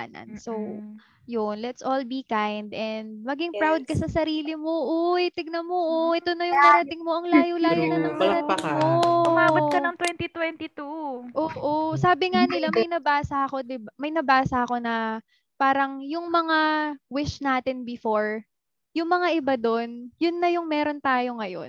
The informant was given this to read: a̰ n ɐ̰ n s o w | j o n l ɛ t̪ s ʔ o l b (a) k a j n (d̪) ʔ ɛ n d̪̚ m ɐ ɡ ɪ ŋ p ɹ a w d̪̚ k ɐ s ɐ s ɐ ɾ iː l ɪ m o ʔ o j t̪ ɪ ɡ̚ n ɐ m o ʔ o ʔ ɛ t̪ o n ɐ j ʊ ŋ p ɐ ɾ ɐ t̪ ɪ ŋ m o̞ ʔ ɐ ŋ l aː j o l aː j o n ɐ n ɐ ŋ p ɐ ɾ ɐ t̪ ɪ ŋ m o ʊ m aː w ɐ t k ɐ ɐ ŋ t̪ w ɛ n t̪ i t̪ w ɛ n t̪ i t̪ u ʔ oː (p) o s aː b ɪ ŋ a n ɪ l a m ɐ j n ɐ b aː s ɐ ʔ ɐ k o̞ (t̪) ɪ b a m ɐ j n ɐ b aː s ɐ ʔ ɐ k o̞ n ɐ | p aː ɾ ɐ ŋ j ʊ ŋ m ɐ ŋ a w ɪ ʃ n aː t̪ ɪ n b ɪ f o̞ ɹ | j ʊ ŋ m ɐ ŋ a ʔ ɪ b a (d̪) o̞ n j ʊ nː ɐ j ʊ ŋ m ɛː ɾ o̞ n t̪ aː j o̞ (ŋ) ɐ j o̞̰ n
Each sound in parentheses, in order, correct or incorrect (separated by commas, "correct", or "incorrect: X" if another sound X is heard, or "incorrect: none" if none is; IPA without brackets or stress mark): incorrect: i, correct, incorrect: ʔ, incorrect: d̪, correct, correct